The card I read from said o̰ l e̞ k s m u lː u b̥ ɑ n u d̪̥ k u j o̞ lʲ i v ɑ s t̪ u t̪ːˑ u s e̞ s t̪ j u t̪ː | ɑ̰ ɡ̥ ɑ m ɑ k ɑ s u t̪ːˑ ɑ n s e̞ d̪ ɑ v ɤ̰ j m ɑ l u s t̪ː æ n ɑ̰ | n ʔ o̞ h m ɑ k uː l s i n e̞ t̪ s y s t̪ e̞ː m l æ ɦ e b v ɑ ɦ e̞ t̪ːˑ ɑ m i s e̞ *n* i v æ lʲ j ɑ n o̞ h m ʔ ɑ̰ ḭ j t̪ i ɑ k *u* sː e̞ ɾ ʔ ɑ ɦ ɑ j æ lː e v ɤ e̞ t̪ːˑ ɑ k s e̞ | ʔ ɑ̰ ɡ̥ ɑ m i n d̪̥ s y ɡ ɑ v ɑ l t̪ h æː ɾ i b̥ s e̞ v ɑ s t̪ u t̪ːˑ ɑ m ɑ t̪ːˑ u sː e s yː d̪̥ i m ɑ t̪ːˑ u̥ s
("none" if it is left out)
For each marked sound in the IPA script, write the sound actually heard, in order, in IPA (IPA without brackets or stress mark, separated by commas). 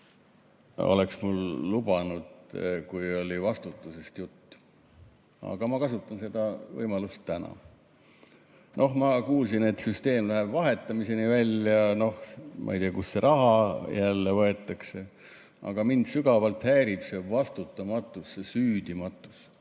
n, u